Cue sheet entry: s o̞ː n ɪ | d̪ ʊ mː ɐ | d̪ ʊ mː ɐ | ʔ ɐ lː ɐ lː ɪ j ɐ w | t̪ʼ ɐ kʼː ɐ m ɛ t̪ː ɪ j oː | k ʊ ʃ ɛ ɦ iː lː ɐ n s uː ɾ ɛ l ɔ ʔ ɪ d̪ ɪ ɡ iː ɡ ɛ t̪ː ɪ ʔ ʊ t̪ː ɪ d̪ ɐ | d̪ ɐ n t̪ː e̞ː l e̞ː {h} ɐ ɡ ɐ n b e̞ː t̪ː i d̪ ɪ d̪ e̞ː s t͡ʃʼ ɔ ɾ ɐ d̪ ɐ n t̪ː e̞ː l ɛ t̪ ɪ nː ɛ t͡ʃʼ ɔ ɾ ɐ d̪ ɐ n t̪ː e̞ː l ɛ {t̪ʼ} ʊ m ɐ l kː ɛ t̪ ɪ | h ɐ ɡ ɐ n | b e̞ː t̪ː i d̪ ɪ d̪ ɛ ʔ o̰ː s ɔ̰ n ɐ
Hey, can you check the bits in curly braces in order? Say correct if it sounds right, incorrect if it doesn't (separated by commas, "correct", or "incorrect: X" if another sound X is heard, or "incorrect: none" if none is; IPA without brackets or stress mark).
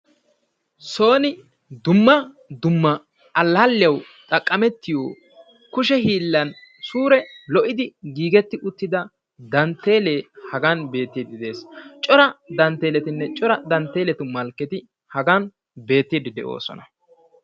correct, incorrect: t̪